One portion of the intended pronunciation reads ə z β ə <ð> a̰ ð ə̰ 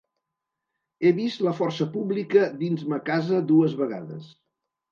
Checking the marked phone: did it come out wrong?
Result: yes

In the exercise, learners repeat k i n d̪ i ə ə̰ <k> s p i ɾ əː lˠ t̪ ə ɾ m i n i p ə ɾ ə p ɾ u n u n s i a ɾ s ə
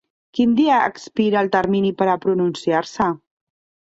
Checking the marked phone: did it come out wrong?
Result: no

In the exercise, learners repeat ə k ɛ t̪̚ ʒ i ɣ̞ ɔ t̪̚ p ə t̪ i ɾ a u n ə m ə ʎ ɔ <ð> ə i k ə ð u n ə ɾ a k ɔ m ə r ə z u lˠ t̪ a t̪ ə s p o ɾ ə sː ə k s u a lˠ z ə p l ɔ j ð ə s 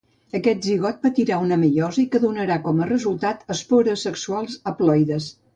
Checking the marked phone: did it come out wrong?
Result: yes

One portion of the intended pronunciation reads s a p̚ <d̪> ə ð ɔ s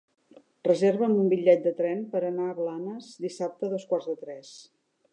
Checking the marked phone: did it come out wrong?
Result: yes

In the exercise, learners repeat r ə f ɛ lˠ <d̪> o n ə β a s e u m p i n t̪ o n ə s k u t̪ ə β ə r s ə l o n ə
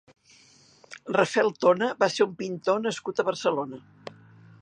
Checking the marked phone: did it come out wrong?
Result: yes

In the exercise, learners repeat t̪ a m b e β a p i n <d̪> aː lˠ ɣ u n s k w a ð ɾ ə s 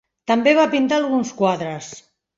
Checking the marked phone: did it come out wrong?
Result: yes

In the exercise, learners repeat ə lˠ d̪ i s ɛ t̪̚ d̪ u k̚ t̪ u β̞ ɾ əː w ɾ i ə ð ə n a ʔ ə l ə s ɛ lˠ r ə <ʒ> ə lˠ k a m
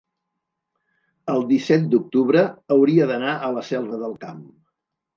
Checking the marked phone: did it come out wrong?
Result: yes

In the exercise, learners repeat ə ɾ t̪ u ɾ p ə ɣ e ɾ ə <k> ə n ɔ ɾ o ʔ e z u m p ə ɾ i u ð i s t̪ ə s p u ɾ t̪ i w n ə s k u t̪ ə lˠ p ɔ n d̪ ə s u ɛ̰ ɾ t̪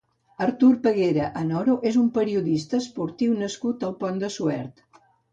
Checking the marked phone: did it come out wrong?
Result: yes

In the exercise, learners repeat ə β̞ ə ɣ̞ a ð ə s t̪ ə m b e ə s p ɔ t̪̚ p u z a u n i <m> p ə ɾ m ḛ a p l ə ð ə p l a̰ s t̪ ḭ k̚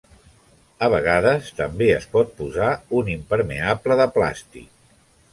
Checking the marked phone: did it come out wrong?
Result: no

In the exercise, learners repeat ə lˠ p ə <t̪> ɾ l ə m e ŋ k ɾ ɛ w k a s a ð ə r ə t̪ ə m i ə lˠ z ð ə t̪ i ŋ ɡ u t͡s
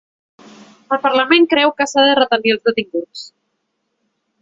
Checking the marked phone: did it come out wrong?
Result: yes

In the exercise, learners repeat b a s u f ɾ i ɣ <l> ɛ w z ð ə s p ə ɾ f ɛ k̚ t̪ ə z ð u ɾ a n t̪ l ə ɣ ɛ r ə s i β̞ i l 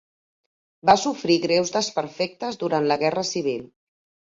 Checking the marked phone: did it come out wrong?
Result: yes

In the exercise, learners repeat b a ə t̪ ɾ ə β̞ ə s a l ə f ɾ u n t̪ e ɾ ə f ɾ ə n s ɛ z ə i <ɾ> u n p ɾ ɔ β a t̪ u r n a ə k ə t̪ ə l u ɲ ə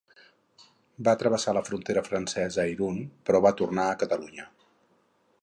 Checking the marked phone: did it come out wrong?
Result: no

